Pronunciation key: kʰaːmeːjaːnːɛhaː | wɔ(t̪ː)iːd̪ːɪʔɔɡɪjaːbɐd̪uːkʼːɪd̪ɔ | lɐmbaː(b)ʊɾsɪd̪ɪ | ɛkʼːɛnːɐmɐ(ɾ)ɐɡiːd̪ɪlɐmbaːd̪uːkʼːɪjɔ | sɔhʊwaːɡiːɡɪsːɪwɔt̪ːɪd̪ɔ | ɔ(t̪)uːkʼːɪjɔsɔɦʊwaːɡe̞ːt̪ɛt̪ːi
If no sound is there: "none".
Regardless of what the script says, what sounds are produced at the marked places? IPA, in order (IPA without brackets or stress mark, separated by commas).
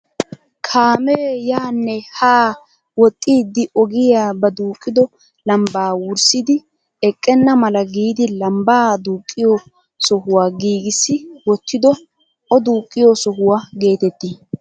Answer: t̪ʼː, w, l, d̪